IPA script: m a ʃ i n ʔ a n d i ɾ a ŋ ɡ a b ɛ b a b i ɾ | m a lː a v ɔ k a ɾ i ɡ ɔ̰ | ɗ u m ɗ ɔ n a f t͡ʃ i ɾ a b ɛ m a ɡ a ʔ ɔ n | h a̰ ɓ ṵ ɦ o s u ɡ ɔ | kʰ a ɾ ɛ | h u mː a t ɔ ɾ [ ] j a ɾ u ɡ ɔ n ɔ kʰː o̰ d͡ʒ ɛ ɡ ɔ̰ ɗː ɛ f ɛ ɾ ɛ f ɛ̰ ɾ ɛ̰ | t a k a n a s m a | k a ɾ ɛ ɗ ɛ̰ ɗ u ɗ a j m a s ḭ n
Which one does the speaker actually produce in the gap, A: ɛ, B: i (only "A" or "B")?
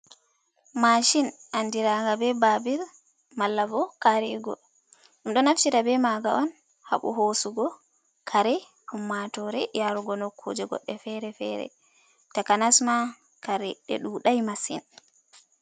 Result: A